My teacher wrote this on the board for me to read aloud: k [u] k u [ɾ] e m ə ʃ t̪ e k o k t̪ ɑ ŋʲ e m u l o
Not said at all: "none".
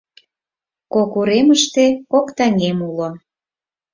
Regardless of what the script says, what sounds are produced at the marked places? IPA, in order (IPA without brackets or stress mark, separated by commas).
o, ɾ